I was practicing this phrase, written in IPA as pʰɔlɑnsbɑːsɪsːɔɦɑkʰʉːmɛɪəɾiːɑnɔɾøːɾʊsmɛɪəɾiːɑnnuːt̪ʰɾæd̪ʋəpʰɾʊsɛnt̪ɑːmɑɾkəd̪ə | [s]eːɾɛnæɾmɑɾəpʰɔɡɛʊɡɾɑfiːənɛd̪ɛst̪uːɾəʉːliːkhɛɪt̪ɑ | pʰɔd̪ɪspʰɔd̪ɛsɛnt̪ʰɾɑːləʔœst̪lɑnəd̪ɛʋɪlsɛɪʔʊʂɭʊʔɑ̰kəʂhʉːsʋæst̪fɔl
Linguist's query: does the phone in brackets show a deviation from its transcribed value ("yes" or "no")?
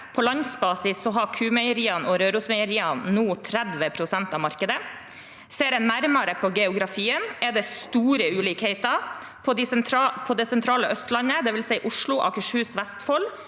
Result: no